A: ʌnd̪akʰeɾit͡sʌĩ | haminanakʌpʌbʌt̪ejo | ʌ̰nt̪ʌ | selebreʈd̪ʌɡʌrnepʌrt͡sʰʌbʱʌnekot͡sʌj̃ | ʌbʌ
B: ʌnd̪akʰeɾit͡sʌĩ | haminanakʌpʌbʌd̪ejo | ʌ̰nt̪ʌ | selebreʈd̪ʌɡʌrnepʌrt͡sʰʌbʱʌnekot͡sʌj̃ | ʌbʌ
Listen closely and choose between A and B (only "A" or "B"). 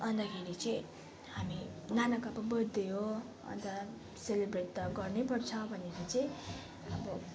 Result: B